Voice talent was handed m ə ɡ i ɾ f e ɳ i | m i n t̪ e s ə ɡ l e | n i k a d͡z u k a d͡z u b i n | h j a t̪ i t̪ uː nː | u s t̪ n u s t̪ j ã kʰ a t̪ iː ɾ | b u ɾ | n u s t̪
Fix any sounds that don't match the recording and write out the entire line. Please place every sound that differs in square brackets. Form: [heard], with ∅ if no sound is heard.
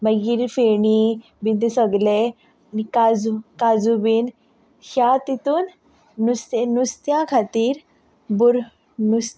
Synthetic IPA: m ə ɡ i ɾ f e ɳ i | [b] i n t̪ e s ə ɡ l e | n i k a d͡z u k a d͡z u b i n | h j a t̪ i t̪ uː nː | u s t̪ n u s t̪ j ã kʰ a t̪ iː ɾ | b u ɾ | n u s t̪